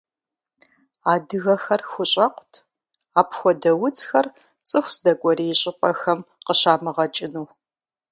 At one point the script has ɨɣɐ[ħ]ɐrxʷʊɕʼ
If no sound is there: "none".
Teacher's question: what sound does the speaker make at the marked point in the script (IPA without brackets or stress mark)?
x